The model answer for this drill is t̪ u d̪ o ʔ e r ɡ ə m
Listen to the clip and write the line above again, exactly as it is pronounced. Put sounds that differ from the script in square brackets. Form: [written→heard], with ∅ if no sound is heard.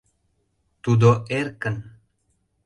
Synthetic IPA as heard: t̪ u d̪ o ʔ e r [ɡ→k] ə [m→n]